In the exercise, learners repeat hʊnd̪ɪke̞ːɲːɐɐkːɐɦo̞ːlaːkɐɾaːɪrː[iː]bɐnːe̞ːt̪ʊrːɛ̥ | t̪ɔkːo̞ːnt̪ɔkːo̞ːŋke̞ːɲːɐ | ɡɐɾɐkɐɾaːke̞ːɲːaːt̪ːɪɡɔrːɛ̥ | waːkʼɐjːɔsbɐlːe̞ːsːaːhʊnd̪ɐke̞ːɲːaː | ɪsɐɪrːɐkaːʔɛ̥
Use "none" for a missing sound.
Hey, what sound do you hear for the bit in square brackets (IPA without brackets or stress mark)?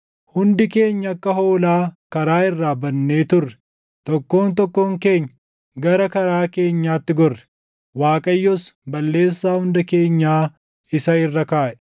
aː